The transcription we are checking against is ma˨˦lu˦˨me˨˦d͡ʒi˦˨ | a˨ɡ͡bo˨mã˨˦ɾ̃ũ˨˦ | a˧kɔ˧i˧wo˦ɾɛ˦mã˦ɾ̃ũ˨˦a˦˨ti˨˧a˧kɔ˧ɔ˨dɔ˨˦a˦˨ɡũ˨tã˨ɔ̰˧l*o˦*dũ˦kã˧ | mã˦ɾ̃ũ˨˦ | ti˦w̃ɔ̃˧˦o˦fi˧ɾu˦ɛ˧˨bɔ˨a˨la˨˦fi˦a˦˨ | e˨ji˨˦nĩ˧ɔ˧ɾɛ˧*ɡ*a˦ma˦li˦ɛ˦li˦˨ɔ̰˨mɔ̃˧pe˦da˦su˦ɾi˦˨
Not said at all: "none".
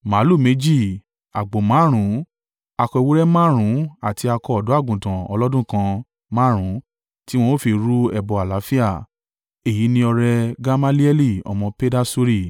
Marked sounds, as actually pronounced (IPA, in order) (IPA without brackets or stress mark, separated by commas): ɔ˦, ɡ